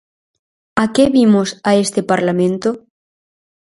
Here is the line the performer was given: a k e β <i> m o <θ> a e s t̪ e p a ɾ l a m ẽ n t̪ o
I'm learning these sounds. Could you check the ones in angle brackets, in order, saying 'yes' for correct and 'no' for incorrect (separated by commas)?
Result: yes, no